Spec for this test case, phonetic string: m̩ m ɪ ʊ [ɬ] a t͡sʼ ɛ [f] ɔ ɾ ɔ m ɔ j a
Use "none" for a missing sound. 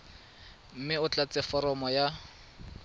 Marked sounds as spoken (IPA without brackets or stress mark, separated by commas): t͡ɬ, f